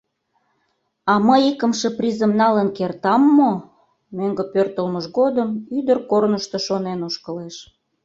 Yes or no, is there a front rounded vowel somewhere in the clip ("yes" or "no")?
yes